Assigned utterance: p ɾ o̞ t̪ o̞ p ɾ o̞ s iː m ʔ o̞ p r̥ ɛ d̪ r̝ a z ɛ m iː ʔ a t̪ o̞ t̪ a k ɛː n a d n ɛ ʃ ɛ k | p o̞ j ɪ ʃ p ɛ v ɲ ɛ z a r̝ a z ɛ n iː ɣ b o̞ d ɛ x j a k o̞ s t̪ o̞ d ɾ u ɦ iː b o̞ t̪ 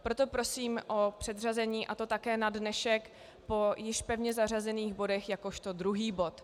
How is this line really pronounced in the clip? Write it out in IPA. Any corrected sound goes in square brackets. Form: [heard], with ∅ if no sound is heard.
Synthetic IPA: p ɾ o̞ t̪ o̞ p ɾ o̞ s iː m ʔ o̞ p r̥ ɛ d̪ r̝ a z ɛ [ɲ] iː ʔ a t̪ o̞ t̪ a k ɛː n a d n ɛ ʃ ɛ k | p o̞ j ɪ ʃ p ɛ v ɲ ɛ z a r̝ a z ɛ n iː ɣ b o̞ d ɛ x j a k o̞ [ʃ] t̪ o̞ d ɾ u ɦ iː b o̞ t̪